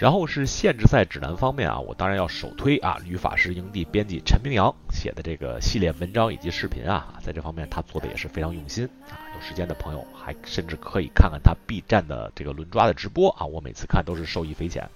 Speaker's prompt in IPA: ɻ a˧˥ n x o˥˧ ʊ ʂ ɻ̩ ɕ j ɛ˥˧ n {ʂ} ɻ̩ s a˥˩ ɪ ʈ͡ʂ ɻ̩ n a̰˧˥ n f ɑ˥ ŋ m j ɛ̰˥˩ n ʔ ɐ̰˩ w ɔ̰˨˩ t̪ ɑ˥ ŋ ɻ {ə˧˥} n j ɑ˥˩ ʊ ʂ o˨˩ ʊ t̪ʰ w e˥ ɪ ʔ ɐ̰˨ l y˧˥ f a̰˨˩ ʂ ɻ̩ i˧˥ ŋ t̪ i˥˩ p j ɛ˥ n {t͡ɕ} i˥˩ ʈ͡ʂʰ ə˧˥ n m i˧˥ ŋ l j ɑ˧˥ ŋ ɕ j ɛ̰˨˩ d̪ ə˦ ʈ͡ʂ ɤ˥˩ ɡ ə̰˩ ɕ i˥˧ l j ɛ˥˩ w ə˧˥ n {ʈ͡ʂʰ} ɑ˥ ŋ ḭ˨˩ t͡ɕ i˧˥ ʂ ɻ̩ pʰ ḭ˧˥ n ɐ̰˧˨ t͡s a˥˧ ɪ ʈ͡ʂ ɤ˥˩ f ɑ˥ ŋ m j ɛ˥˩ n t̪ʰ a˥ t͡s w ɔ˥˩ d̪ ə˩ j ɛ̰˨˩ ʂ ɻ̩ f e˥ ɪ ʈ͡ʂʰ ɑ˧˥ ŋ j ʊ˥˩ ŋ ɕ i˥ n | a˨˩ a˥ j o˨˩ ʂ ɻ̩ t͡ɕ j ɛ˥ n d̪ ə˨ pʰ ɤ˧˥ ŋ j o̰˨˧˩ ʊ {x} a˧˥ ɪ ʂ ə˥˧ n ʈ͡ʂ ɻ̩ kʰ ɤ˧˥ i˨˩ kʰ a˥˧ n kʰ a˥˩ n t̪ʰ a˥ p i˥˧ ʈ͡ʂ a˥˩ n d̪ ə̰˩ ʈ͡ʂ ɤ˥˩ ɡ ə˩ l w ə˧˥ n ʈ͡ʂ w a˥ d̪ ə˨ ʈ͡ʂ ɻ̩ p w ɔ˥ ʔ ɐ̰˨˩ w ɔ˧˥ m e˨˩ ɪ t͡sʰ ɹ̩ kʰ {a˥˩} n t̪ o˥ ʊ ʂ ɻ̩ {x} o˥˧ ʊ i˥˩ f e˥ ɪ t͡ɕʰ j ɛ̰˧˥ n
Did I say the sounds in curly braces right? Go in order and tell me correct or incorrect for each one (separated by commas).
incorrect, incorrect, correct, incorrect, correct, correct, incorrect